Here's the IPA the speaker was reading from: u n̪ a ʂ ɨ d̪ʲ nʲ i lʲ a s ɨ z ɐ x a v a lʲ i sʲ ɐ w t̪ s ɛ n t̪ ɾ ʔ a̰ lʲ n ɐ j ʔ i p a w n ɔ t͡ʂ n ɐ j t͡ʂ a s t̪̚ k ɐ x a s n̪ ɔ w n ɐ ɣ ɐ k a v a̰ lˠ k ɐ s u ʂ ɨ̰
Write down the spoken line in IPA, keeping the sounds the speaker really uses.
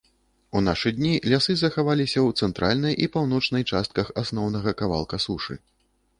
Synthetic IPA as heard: u n̪ a ʂ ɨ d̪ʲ nʲ i lʲ a s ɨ z ɐ x a v a lʲ i sʲ ɐ w t̪ s ɛ n t̪ ɾ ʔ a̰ lʲ n ɐ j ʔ i p a w n ɔ t͡ʂ n ɐ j t͡ʂ a s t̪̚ k ɐ x a s n̪ ɔ w n ɐ ɣ ɐ k a v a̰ lˠ k ɐ s u ʂ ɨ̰